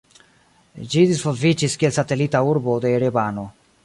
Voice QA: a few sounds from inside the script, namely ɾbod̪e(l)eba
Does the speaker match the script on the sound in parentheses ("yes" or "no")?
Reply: no